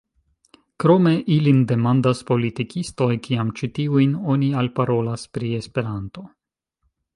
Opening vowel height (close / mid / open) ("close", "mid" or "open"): mid